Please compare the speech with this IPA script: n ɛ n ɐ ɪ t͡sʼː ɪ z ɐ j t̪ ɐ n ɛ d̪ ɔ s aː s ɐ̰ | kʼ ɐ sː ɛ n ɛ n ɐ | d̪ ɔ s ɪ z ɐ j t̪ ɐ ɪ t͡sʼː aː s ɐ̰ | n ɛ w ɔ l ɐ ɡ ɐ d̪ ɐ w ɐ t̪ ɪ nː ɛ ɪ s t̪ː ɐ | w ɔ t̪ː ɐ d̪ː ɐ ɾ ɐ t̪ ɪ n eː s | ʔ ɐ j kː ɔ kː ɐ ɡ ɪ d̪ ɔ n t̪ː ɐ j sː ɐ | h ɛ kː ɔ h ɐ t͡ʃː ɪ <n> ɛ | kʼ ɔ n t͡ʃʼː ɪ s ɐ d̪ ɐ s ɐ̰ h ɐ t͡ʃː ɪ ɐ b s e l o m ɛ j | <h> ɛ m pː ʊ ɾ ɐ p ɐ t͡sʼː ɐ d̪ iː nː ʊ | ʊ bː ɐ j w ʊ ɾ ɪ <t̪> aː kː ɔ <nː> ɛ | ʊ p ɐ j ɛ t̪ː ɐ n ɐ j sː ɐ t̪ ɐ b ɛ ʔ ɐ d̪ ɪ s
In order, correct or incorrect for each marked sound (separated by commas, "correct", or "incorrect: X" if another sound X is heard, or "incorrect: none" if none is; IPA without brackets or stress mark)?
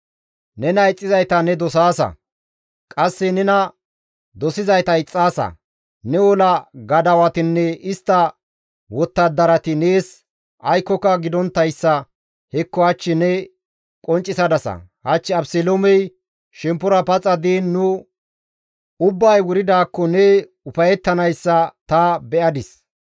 correct, incorrect: ʃ, incorrect: d̪, incorrect: n